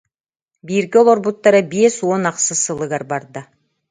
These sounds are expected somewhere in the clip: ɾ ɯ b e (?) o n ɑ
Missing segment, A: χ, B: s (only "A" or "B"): B